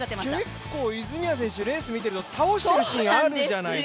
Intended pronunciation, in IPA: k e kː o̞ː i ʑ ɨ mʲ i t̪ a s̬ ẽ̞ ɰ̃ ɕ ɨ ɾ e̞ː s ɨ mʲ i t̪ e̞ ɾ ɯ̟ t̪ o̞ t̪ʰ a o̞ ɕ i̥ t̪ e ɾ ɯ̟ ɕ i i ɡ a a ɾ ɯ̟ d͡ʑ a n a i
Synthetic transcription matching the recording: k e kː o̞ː i z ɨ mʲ i a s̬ ẽ̞ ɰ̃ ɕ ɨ ɾ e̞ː s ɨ mʲ i t̪ e̞ ɾ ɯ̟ t̪ o̞ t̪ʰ a o̞ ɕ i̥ t̪ e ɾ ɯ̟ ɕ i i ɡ a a ɾ ɯ̟ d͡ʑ a n a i